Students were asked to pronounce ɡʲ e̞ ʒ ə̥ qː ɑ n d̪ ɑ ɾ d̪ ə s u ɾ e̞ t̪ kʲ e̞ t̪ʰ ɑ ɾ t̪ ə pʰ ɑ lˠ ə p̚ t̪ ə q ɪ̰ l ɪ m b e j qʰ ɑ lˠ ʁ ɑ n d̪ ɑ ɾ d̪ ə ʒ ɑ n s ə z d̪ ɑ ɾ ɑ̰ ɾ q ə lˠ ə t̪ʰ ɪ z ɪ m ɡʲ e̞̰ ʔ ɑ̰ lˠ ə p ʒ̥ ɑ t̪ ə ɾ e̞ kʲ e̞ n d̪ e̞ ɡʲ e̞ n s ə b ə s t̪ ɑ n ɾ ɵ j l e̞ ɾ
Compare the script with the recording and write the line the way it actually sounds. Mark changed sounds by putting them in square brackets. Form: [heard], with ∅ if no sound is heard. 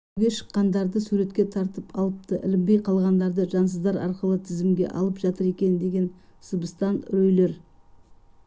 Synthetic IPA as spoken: ɡʲ e̞ [ʃ] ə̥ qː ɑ n d̪ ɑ ɾ d̪ ə s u ɾ e̞ t̪ kʲ e̞ t̪ʰ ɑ ɾ t̪ ə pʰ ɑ lˠ ə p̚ t̪ ə [ʔ] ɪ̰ l ɪ m b e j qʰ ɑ lˠ ʁ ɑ n d̪ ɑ ɾ d̪ ə ʒ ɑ n s ə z d̪ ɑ ɾ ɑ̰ ɾ q ə lˠ ə t̪ʰ ɪ z ɪ m ɡʲ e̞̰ ʔ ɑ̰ lˠ ə p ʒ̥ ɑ t̪ ə ɾ e̞ kʲ e̞ n d̪ e̞ ɡʲ e̞ n s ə b ə s t̪ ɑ n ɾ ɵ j l e̞ ɾ

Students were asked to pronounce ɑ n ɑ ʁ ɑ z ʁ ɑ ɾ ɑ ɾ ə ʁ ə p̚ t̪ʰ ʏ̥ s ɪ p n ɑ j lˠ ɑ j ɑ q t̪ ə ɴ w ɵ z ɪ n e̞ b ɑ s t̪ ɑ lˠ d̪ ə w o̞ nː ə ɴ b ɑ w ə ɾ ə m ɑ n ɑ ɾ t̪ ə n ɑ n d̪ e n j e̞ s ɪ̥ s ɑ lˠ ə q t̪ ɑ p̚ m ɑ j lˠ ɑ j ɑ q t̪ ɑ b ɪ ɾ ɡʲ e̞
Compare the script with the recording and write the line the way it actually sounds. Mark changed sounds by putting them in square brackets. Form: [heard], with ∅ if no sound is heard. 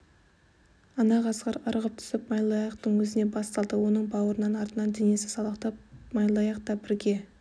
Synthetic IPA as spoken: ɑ n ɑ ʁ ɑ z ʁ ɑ ɾ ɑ ɾ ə ʁ ə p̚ t̪ʰ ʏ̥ s ɪ p [m] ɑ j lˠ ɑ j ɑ q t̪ ə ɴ w ɵ z ɪ n e̞ b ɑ s t̪ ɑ lˠ d̪ ə w o̞ [n] ə ɴ b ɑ w ə ɾ ə [n] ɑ n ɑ ɾ t̪ ə n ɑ n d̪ e n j e̞ s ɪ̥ s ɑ lˠ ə q t̪ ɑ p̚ m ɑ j lˠ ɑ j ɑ q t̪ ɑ b ɪ ɾ ɡʲ e̞

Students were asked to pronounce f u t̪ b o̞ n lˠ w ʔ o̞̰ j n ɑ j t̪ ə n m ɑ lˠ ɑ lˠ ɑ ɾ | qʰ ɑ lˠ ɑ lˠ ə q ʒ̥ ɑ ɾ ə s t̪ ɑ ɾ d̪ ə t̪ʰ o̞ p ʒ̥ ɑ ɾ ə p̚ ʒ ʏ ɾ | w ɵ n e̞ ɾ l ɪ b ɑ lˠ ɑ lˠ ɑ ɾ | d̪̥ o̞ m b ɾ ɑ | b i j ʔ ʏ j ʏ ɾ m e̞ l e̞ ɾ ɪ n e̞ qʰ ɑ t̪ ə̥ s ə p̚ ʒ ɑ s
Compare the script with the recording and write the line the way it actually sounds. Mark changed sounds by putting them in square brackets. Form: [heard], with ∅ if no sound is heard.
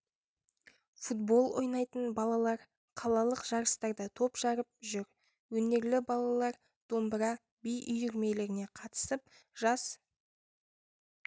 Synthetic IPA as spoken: f u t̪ b o̞ [∅] lˠ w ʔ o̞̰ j n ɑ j t̪ ə n [b] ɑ lˠ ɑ lˠ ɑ ɾ | qʰ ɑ lˠ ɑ lˠ ə q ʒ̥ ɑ ɾ ə s t̪ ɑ ɾ d̪ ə t̪ʰ o̞ p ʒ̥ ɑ ɾ ə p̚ ʒ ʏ ɾ | w ɵ n e̞ ɾ l ɪ b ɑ lˠ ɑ lˠ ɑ ɾ | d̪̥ o̞ m b ɾ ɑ | b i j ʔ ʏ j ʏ ɾ m e̞ l e̞ ɾ ɪ n e̞ qʰ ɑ t̪ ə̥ s ə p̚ ʒ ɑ s

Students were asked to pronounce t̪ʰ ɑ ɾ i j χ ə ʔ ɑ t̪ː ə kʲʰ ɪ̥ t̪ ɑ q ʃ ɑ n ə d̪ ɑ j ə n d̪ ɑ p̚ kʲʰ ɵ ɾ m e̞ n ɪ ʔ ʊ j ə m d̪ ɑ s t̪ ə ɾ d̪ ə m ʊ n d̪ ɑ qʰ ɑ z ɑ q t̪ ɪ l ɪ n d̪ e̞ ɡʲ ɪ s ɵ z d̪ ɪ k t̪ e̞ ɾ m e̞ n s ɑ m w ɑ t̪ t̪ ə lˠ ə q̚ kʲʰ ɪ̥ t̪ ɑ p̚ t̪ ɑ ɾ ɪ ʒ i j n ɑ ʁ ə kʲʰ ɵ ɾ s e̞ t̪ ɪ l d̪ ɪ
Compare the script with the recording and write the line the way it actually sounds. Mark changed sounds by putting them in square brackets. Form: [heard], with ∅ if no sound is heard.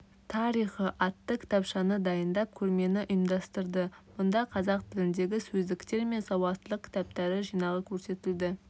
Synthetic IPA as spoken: t̪ʰ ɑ ɾ i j χ ə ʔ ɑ t̪ː ə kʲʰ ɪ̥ t̪ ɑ [p] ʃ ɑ n ə d̪ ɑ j ə n d̪ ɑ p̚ kʲʰ ɵ ɾ m e̞ n ɪ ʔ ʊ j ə m d̪ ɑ s t̪ ə ɾ d̪ ə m ʊ n d̪ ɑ qʰ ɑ z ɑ q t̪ ɪ l ɪ n d̪ e̞ ɡʲ ɪ s ɵ z d̪ ɪ k t̪ e̞ ɾ m e̞ n s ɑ [∅] w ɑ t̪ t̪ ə lˠ ə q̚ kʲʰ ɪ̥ t̪ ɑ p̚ t̪ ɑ ɾ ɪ ʒ i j n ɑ ʁ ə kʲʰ ɵ ɾ s e̞ t̪ ɪ l d̪ ɪ

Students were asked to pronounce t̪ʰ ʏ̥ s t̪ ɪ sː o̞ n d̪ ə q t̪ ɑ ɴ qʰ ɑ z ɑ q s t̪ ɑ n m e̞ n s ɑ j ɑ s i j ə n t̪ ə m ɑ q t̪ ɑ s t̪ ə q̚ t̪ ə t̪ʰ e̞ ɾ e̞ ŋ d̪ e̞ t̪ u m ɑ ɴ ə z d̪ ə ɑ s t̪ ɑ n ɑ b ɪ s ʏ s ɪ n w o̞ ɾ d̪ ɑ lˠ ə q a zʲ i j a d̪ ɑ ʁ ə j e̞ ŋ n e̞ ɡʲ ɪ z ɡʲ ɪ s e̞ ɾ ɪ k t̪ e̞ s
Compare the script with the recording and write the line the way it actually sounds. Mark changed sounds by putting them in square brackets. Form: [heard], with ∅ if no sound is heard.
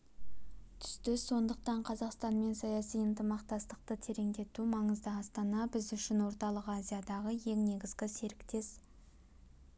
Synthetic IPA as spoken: t̪ʰ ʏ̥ s t̪ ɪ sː o̞ n d̪ ə q t̪ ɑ ɴ qʰ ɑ z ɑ q s t̪ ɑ n m e̞ n s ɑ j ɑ s i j ə n t̪ ə m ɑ q t̪ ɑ s t̪ ə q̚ t̪ ə t̪ʰ e̞ ɾ e̞ ŋ d̪ e̞ t̪ u m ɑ ɴ ə z d̪ ə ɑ s t̪ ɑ n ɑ b ɪ [z] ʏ [ʃ] ɪ n w o̞ ɾ [t̪] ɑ lˠ ə q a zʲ i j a d̪ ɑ ʁ ə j e̞ ŋ n e̞ ɡʲ ɪ z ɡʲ ɪ s e̞ ɾ ɪ k t̪ e̞ s

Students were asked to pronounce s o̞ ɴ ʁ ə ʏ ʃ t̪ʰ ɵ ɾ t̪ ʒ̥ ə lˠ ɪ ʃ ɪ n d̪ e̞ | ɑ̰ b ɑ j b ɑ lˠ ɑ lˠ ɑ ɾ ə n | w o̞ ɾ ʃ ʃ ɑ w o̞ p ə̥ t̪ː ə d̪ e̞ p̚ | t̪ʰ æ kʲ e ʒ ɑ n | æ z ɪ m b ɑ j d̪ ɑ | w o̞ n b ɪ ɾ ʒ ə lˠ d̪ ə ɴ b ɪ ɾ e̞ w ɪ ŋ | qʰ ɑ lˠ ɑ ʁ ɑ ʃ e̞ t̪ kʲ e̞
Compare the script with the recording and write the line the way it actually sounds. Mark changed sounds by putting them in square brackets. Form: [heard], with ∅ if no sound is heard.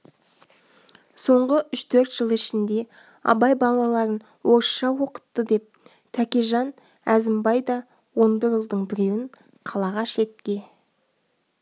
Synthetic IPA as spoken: s o̞ ɴ ʁ ə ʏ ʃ t̪ʰ ɵ ɾ t̪ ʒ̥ ə lˠ ɪ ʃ ɪ n d̪ e̞ | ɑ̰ b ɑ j b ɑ lˠ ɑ lˠ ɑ ɾ ə n | w o̞ ɾ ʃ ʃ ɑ w o̞ [q] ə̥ t̪ː ə d̪ e̞ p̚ | t̪ʰ æ kʲ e ʒ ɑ n | æ z ɪ m b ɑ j d̪ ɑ | w o̞ n b ɪ ɾ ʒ ə lˠ d̪ ə ɴ b ɪ ɾ e̞ w ɪ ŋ | qʰ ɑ lˠ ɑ ʁ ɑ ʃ e̞ t̪ kʲ e̞

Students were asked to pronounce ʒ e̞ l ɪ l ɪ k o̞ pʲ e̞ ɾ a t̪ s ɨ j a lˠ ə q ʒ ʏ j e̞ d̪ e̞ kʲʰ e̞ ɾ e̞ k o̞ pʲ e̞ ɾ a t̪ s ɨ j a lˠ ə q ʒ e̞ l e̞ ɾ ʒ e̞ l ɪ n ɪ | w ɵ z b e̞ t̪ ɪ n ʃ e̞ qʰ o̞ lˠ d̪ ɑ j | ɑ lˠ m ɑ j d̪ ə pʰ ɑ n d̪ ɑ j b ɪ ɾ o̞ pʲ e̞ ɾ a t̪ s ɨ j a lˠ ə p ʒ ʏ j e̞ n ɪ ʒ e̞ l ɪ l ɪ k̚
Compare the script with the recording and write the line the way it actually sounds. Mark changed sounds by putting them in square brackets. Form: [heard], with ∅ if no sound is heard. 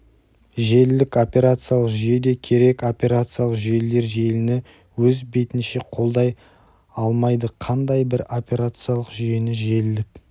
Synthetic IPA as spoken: ʒ e̞ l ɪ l ɪ k o̞ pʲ e̞ ɾ a t̪ s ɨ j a lˠ ə q ʒ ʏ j e̞ d̪ e̞ kʲʰ e̞ ɾ e̞ k o̞ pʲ e̞ ɾ a t̪ s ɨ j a lˠ ə q ʒ e̞ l e̞ ɾ ʒ e̞ l ɪ n ɪ | w ɵ z b e̞ t̪ ɪ n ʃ e̞ qʰ o̞ lˠ d̪ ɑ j | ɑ lˠ m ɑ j d̪ ə [qʰ] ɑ n d̪ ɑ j b ɪ ɾ o̞ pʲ e̞ ɾ a t̪ s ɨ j a lˠ ə [q] ʒ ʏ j e̞ n ɪ ʒ e̞ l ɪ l ɪ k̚

